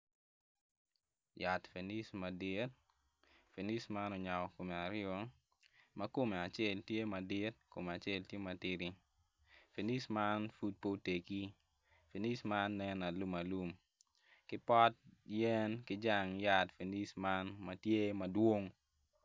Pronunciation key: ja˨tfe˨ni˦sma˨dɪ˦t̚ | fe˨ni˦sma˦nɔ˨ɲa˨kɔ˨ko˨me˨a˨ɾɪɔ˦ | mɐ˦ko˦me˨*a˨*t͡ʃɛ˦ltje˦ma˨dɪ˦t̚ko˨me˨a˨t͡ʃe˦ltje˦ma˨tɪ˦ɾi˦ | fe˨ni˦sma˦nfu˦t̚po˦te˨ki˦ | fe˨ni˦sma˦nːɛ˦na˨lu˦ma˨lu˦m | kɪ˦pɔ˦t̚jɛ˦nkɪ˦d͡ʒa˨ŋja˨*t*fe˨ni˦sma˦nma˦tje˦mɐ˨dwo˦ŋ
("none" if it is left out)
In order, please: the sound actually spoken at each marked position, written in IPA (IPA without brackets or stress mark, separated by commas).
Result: a˨, t